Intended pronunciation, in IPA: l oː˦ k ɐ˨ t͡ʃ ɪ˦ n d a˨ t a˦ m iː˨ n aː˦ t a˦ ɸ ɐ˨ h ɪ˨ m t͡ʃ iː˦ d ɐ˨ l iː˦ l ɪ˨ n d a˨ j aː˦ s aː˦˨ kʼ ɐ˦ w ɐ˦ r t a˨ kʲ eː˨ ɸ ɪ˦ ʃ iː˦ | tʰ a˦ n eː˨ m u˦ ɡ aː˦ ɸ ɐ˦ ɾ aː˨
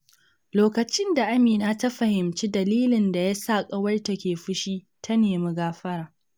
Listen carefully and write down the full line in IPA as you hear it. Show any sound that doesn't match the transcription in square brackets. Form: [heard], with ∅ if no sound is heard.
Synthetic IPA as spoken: l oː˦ k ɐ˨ t͡ʃ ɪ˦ n d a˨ [ʔ] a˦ m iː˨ n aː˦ t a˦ ɸ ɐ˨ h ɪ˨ m t͡ʃ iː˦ d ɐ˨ l iː˦ l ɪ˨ n d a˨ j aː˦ s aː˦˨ kʼ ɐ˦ w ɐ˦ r t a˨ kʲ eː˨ ɸ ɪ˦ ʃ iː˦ | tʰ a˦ n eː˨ m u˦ ɡ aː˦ ɸ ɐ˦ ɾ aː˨